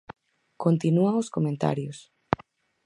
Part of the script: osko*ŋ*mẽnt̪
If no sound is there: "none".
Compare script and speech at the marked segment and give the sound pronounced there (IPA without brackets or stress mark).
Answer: none